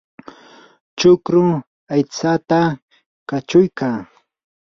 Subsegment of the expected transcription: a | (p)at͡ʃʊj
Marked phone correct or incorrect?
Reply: incorrect